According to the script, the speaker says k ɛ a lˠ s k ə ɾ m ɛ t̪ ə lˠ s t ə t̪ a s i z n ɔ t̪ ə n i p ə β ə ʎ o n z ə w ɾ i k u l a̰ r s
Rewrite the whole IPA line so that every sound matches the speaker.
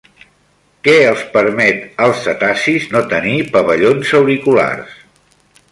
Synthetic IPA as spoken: k ɛ ə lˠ s p ə ɾ m ɛ t̪ ə lˠ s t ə t̪ a s i z n o t̪ ə n i p ə β ə ʎ o n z ə w ɾ i k u l a̰ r s